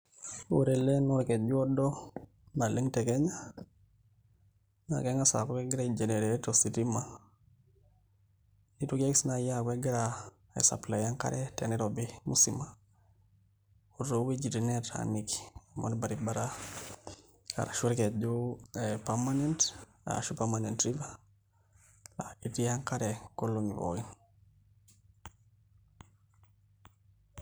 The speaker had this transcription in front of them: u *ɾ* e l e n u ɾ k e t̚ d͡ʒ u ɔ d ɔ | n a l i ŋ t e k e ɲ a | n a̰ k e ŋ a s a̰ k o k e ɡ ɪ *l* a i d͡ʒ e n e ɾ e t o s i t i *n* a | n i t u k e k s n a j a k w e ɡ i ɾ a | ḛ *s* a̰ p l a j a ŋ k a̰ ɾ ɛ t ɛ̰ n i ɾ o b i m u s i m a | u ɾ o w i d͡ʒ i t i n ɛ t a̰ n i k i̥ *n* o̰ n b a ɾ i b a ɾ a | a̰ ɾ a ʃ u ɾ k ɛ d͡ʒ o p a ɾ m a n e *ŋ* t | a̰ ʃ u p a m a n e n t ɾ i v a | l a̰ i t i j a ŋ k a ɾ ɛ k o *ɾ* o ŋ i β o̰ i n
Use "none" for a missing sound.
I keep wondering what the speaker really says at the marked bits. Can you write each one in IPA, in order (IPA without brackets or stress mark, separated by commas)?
ɾ, ɾ, m, s, m, n, l